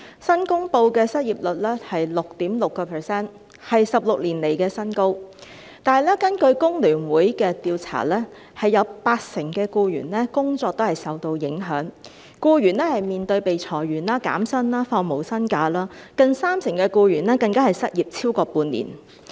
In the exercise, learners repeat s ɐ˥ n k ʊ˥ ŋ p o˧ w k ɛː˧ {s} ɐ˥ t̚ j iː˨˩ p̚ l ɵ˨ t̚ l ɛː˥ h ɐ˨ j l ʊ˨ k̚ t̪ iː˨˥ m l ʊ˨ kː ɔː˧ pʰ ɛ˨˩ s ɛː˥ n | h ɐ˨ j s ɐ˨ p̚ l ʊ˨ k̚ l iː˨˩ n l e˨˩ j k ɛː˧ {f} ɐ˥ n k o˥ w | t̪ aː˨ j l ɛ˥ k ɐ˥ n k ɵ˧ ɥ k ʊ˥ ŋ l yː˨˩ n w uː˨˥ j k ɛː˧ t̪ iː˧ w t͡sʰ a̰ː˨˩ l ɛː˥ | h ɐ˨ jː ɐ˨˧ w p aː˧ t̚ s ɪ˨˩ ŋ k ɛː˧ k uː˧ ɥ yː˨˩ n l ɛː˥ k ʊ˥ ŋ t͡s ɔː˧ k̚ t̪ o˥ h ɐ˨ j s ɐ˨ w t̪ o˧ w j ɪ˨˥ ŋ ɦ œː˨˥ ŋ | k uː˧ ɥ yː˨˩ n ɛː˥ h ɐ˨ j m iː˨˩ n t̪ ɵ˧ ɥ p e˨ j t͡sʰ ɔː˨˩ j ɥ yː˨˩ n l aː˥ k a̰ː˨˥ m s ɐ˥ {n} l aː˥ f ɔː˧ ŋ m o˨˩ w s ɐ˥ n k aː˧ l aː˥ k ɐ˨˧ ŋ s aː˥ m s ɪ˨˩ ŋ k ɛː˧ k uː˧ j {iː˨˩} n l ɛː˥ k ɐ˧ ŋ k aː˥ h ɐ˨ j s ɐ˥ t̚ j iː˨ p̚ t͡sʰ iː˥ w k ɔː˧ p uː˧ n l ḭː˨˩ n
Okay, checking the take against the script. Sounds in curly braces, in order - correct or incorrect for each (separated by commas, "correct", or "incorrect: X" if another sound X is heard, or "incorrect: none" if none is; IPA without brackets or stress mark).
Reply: correct, incorrect: s, correct, incorrect: yː˨˩